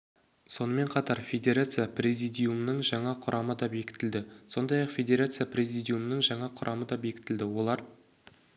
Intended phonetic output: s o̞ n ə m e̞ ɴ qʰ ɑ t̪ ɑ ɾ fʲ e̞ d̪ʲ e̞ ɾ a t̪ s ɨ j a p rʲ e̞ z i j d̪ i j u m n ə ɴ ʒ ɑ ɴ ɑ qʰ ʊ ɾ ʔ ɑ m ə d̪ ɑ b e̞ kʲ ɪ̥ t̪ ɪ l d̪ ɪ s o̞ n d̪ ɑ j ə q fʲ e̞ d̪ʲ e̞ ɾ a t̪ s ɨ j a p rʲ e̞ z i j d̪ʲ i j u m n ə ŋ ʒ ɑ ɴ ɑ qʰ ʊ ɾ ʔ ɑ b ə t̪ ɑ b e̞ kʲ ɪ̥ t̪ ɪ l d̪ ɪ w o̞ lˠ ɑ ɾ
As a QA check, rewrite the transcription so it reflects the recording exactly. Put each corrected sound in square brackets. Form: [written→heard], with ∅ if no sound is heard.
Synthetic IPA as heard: s o̞ n ə m e̞ ɴ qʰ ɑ t̪ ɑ ɾ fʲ e̞ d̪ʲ e̞ ɾ a t̪ s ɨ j a p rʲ e̞ z i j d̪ i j u m n ə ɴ ʒ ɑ ɴ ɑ qʰ ʊ ɾ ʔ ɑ m ə d̪ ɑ b e̞ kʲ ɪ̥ t̪ ɪ l d̪ ɪ s o̞ n d̪ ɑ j [ə→ɑ] q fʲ e̞ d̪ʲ e̞ ɾ a t̪ s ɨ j a p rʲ e̞ z i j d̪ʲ i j u m n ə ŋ ʒ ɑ ɴ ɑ qʰ ʊ ɾ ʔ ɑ [b→m] ə [t̪→d̪] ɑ b e̞ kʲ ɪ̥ t̪ ɪ l d̪ ɪ w o̞ lˠ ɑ ɾ